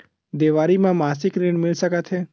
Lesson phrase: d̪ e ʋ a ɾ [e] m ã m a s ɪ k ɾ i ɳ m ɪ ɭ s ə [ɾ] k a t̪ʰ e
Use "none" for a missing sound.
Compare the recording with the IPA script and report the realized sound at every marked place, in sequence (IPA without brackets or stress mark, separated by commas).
i, none